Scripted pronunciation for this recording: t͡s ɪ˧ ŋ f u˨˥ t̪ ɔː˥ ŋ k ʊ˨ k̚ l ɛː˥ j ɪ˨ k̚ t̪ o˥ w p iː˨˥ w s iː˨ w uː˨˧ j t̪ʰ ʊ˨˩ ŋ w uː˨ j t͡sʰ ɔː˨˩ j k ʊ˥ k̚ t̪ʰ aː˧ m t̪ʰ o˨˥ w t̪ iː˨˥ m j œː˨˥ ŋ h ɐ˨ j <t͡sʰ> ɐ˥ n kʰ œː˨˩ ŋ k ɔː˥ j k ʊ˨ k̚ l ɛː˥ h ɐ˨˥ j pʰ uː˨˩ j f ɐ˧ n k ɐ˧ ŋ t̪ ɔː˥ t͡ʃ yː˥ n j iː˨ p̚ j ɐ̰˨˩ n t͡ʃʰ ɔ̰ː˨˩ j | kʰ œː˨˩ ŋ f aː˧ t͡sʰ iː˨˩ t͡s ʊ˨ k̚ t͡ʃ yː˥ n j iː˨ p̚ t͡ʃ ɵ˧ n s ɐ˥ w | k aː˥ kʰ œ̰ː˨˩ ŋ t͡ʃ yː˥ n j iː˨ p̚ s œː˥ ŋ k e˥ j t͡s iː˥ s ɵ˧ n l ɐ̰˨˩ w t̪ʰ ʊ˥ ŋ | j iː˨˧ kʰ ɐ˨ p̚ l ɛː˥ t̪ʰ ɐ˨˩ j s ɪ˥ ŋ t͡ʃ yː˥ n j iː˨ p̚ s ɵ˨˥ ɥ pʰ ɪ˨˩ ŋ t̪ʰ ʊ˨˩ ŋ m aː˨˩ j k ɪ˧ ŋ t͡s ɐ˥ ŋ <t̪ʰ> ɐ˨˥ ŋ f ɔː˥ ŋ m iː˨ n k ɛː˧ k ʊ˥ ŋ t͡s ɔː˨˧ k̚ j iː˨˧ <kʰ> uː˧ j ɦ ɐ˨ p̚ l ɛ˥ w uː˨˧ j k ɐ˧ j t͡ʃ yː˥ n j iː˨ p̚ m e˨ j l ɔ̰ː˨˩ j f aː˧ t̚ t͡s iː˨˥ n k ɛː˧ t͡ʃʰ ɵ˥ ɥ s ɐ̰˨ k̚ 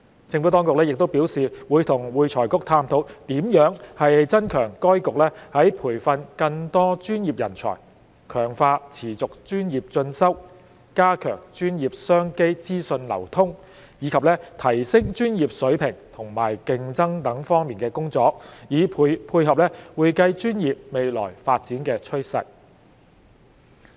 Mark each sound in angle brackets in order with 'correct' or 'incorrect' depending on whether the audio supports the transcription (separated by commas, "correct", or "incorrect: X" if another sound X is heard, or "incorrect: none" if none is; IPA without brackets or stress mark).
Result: incorrect: t͡s, incorrect: t̪, incorrect: pʰ